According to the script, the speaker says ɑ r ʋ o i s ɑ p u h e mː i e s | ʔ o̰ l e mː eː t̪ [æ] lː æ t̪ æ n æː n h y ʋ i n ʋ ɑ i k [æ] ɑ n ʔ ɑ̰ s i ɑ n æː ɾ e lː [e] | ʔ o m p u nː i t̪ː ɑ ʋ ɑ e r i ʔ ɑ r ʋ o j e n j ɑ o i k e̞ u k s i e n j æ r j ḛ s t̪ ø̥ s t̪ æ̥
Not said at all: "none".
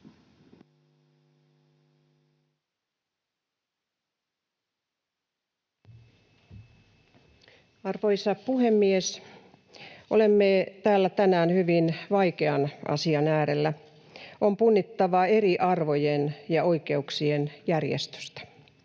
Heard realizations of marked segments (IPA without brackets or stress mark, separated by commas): æː, e, æ